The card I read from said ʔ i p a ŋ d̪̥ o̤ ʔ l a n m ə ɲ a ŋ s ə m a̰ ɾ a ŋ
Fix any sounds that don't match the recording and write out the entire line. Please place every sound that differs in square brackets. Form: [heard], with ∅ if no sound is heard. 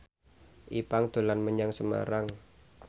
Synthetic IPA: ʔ i p a ŋ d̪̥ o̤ [∅] l a n m ə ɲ a ŋ s ə m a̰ ɾ a ŋ